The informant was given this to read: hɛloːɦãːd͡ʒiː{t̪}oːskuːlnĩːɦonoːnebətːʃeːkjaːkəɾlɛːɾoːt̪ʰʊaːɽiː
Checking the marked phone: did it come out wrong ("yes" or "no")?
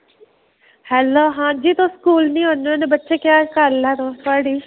no